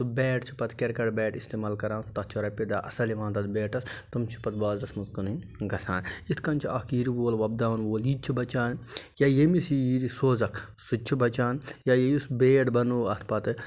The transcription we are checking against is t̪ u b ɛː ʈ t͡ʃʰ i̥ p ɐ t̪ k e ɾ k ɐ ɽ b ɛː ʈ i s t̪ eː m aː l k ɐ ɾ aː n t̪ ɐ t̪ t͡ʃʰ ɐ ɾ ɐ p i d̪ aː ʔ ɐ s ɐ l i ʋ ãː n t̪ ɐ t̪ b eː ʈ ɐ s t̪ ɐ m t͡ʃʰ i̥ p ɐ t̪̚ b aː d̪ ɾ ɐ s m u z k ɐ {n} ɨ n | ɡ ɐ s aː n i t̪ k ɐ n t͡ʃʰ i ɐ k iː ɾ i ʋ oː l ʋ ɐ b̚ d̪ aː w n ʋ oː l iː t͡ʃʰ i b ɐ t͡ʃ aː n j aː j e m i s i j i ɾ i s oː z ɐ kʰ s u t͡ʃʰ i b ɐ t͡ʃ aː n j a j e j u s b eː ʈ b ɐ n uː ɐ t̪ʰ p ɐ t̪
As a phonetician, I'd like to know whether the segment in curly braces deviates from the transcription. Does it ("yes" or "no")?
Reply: no